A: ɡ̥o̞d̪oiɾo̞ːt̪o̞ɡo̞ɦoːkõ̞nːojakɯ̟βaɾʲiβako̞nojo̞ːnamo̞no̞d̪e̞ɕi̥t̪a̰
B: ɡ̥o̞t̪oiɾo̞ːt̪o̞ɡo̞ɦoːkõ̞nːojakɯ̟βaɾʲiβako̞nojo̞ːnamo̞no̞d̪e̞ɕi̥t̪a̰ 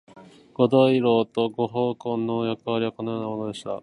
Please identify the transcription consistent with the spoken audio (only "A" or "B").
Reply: A